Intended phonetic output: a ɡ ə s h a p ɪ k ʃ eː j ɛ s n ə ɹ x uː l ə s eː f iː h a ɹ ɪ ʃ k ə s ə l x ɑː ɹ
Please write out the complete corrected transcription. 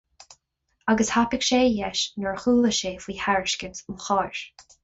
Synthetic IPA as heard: a ɡ ə s h a p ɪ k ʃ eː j ɛ ʃ n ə ɹ x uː l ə ʃ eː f iː h a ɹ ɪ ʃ k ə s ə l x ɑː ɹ

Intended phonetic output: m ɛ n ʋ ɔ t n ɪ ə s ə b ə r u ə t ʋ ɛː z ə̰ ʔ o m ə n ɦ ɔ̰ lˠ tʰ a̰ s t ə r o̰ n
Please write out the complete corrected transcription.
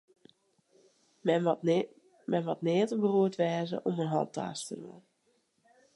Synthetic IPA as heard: m ɛ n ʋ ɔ t n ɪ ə t ə b ə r u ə t ʋ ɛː z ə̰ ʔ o m ə n ɦ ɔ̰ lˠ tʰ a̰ s t ə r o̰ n

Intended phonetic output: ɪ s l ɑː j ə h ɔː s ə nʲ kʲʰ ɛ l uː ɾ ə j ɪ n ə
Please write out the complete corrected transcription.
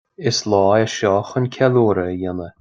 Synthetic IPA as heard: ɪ s l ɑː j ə ʃ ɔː x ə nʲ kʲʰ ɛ l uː ɾ ə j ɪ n ə

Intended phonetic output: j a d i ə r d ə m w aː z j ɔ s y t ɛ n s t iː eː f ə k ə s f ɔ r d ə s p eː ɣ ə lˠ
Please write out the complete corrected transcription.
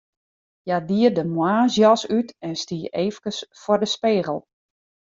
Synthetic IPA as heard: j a d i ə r d ə m w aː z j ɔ s y t ɛ n s t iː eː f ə k ə s f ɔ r d ə s p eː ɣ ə lˠ

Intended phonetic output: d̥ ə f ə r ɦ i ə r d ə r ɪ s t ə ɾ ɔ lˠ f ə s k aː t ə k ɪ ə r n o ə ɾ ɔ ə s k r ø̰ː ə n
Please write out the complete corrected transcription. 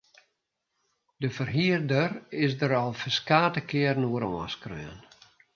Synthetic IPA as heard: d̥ ə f ə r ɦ i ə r d ə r ɪ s d ə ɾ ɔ lˠ f ə s k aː t ə k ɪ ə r n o ə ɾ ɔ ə s k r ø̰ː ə n

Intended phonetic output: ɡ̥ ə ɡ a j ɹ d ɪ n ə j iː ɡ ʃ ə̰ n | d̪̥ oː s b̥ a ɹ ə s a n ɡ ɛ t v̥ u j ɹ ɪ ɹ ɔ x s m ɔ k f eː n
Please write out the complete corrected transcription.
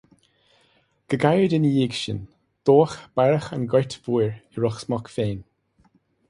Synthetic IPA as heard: ɡ̥ ə ɡ a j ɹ d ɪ n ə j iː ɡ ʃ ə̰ n | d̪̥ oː x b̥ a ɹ ə x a n ɡ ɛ t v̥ u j ɹ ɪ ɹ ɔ x s m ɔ k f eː n

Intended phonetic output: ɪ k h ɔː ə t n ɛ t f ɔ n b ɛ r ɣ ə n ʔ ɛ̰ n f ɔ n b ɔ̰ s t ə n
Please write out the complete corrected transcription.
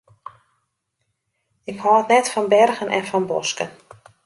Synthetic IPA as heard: ɪ k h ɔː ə t n ɛ t f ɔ n b ɛ r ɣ ə n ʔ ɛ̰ n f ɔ n b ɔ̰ s k ə n

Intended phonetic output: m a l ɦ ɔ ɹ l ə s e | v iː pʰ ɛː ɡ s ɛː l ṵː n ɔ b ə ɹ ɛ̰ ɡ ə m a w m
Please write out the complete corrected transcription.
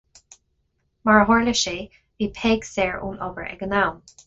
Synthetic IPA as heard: m a ɹ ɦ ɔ ɹ l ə ʃ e | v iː pʰ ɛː ɡ s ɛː ɹ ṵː n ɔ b ə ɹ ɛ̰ ɡ ə n a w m

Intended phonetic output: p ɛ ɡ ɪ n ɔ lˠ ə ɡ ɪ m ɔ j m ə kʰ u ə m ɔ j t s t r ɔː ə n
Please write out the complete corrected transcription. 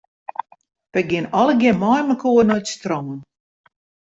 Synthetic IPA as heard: p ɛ ɡ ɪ n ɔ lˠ ə ɡ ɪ m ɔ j m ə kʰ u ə n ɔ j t s t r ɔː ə n

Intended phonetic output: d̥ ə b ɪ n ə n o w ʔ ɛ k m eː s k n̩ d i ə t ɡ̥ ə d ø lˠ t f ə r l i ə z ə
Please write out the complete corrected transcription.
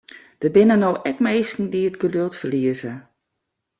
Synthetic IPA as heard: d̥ ə b ɪ n ə n o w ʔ ɛ k m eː s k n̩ d i ə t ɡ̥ ə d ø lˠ t f ə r l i ə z ə

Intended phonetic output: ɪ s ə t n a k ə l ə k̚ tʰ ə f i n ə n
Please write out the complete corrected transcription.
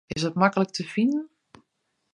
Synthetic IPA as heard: ɪ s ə t m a k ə l ə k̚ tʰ ə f i n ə n

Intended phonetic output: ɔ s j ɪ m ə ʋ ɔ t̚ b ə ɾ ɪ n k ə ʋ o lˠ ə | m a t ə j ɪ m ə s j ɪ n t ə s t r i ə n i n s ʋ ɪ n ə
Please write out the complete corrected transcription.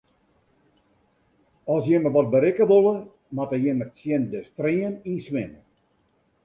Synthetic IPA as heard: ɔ s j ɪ m ə ʋ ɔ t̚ b ə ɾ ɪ k ə ʋ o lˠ ə | m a t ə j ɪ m ə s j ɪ n d ə s t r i ə n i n s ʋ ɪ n ə

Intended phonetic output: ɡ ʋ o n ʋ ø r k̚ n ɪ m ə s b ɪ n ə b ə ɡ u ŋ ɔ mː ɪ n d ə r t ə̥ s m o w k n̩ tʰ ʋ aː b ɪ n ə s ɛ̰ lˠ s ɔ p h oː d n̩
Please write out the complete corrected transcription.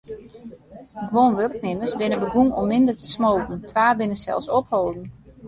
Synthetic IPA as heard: ɡ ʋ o n ʋ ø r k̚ n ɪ m ə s b ɪ n ə b ə ɡ u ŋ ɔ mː ɪ n d ə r t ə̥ s m o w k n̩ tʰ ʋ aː b ɪ n ə s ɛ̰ lˠ s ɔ p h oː d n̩

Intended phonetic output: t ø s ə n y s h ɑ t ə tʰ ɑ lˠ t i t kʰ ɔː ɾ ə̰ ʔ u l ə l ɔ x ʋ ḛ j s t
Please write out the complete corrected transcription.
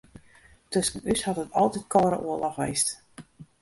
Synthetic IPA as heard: t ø s ə n y s h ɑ t ə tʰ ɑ lˠ t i t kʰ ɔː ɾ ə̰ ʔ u ə l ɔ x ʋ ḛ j s t

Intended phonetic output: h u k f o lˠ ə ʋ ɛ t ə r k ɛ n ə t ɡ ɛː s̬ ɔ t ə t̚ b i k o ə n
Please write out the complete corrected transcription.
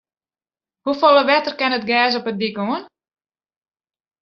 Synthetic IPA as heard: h u f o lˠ ə ʋ ɛ t ə r k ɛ n ə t ɡ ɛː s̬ ɔ p ə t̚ d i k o ə n

